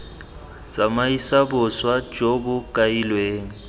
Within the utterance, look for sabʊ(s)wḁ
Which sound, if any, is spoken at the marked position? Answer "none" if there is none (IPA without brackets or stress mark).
s